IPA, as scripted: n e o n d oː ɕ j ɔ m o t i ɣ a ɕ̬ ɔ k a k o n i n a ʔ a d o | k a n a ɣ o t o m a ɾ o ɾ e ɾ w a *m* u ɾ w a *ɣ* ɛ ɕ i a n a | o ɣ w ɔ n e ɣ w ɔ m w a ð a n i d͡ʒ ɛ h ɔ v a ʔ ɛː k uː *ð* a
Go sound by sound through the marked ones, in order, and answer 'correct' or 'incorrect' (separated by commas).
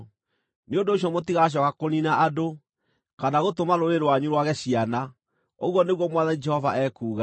incorrect, correct, incorrect